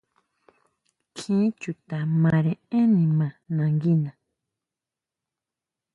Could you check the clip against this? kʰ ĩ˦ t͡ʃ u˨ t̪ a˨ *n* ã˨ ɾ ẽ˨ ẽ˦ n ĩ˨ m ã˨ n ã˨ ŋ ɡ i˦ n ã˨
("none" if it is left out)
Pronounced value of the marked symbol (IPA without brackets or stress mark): m